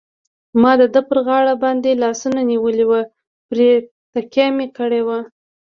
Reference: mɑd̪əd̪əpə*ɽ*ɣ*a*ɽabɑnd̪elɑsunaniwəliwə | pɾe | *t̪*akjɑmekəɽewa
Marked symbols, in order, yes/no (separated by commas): no, no, yes